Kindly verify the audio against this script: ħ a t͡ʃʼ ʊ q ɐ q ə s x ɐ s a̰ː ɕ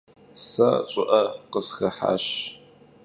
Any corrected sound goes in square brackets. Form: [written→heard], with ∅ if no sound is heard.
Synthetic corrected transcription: [ħ→s] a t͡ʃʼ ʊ [q→ʔ] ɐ q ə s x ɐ [s→ħ] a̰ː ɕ